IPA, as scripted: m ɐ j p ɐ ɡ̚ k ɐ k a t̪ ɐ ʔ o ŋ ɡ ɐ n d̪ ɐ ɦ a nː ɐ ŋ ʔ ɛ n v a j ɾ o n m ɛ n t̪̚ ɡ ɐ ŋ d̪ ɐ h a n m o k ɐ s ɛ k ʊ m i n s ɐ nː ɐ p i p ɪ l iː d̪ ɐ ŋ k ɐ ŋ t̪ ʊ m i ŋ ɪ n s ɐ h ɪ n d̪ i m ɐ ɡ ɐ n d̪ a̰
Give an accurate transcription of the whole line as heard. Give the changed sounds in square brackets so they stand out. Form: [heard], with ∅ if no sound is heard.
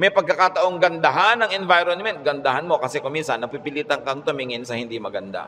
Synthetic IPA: m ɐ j p ɐ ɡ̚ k ɐ k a t̪ ɐ ʔ o ŋ ɡ ɐ n d̪ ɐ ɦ a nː ɐ ŋ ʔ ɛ n v a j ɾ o n m ɛ n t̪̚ ɡ ɐ [n] d̪ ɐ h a n m o k ɐ s ɛ k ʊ m i n s ɐ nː ɐ p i p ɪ l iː [t̪] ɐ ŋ k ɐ ŋ t̪ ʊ m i ŋ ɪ n s ɐ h ɪ n d̪ i m ɐ ɡ ɐ n d̪ a̰

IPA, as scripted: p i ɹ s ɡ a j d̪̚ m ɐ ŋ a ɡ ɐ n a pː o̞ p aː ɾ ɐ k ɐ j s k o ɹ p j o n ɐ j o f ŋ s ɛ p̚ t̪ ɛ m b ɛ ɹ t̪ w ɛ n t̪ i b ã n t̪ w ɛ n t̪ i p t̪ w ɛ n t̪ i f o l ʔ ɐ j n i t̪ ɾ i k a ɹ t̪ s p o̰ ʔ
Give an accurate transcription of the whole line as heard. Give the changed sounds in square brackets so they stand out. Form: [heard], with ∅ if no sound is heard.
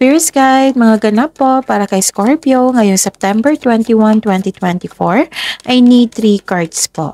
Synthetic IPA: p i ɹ s ɡ a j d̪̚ m ɐ ŋ a ɡ ɐ n a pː o̞ p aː ɾ ɐ k ɐ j s k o ɹ p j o [ŋ] ɐ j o [∅] ŋ s ɛ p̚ t̪ ɛ m b ɛ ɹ t̪ w ɛ n t̪ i [w] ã n t̪ w ɛ n t̪ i [∅] t̪ w ɛ n t̪ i f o [ɹ] ʔ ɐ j n i t̪ ɾ i k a ɹ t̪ s p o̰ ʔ

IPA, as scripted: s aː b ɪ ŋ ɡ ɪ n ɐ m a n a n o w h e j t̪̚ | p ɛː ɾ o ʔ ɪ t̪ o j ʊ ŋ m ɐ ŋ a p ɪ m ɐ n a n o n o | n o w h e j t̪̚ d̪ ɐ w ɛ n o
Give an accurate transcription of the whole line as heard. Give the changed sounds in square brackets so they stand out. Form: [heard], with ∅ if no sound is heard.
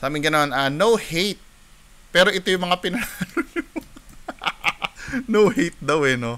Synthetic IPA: s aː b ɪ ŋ ɡ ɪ n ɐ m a n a n o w h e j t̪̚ | p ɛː ɾ o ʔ ɪ t̪ o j ʊ ŋ m ɐ ŋ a p ɪ [n] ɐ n a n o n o | n o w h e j t̪̚ d̪ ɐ w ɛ n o

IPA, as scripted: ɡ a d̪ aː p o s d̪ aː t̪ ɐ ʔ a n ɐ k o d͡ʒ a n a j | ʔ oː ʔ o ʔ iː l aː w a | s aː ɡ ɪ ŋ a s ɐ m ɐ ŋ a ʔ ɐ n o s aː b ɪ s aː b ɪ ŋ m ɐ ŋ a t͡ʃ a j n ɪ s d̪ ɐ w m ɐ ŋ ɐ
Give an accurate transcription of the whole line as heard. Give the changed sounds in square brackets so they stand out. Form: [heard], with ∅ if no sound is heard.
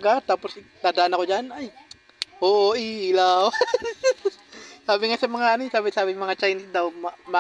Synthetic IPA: ɡ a [t̪] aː p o s d̪ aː [d̪] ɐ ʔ a n ɐ k o d͡ʒ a n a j | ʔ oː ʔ o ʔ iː l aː w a | s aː [b] ɪ ŋ a s ɐ m ɐ ŋ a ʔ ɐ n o s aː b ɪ s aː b ɪ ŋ m ɐ ŋ a t͡ʃ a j n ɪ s d̪ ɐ w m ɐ [m] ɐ

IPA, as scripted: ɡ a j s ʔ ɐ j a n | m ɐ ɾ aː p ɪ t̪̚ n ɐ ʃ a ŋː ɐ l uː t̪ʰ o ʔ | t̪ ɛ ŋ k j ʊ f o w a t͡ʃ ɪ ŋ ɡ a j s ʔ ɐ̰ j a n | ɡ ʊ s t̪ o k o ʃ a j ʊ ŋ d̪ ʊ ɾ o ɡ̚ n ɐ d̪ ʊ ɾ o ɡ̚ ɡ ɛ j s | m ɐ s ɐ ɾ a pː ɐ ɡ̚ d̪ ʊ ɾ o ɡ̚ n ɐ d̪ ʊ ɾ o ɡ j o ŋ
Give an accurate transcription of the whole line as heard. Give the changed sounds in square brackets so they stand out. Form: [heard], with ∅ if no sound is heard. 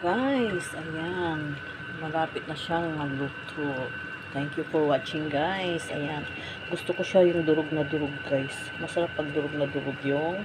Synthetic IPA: ɡ a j s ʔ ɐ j a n | m ɐ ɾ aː p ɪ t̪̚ n ɐ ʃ a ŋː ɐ l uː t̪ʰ o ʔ | t̪ ɛ ŋ k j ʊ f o w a t͡ʃ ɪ ŋ ɡ a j s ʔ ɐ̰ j a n | ɡ ʊ s t̪ o k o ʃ a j ʊ ŋ d̪ ʊ ɾ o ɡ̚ n ɐ d̪ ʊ ɾ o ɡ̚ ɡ [a] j s | m ɐ s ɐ ɾ a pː ɐ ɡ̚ d̪ ʊ ɾ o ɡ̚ n ɐ d̪ ʊ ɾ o ɡ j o ŋ

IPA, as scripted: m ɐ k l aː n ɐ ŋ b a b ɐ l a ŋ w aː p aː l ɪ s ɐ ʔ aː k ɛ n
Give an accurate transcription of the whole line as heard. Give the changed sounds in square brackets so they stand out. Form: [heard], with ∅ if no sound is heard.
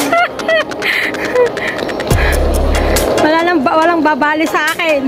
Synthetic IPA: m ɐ [∅] l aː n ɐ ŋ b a [w] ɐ l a ŋ [b] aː [b] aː l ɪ s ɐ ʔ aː k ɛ n

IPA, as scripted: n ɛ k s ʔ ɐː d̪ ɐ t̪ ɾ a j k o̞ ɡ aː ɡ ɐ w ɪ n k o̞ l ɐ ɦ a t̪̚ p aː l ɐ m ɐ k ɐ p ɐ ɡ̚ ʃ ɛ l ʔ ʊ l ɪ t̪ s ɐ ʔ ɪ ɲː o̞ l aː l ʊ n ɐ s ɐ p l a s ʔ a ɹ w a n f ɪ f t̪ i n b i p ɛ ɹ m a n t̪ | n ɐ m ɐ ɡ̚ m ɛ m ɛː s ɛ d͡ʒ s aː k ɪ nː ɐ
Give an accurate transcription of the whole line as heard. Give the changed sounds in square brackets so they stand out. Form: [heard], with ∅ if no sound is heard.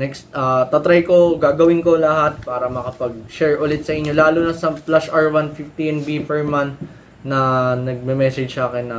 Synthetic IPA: n ɛ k s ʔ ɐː [t̪] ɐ t̪ ɾ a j k o̞ ɡ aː ɡ ɐ w ɪ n k o̞ l ɐ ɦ a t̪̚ p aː [ɾ] ɐ m ɐ k ɐ p ɐ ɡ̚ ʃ ɛ [ɹ] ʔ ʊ l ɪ t̪ s ɐ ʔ ɪ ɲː o̞ l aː l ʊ n ɐ s ɐ p l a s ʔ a ɹ w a n f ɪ f t̪ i n b i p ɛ ɹ m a n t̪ | n ɐ [n] ɐ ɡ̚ m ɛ m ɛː s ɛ d͡ʒ s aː k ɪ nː ɐ

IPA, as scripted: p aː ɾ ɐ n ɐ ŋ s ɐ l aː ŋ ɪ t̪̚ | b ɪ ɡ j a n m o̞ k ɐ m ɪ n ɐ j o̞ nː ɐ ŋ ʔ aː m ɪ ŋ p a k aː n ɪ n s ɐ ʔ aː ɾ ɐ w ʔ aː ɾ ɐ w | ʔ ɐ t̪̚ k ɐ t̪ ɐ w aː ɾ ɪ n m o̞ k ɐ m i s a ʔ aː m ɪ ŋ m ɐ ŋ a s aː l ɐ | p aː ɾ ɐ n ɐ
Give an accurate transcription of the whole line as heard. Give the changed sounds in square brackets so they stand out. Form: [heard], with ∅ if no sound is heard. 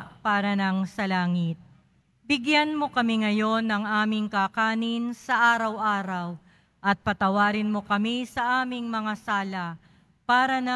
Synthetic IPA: p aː ɾ ɐ n ɐ ŋ s ɐ l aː ŋ ɪ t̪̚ | b ɪ ɡ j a n m o̞ k ɐ m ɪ [ŋ] ɐ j o̞ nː ɐ ŋ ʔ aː m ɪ ŋ [k] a k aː n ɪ n s ɐ ʔ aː ɾ ɐ w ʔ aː ɾ ɐ w | ʔ ɐ t̪̚ [p] ɐ t̪ ɐ w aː ɾ ɪ n m o̞ k ɐ m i s [ɐ] ʔ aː m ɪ ŋ m ɐ ŋ a s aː l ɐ | p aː ɾ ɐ n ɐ

